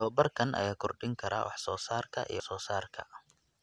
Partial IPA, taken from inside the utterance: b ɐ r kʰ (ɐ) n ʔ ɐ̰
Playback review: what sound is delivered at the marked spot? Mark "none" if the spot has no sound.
ɐ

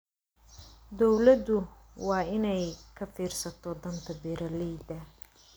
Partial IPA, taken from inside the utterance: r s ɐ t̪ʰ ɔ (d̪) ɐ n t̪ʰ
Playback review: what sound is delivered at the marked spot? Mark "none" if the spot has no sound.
d̪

